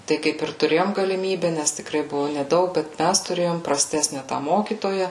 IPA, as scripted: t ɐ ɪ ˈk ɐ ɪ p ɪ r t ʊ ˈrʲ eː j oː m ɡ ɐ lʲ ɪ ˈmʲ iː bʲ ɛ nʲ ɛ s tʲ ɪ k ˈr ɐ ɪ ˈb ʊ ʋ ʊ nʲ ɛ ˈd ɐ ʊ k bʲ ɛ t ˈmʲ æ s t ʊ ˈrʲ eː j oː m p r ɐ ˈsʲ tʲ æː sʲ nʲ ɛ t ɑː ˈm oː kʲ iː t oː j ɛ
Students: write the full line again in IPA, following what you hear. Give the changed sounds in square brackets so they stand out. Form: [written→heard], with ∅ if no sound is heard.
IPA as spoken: t ɐ ɪ ˈk ɐ ɪ p ɪ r t ʊ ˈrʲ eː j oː m ɡ ɐ lʲ ɪ ˈmʲ iː bʲ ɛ nʲ ɛ s tʲ ɪ k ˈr ɐ ɪ ˈb ʊ ʋ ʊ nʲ ɛ ˈd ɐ ʊ k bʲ ɛ t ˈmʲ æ s t ʊ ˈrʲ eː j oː m p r ɐ ˈsʲ tʲ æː sʲ nʲ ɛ t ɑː ˈm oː kʲ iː t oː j ɛ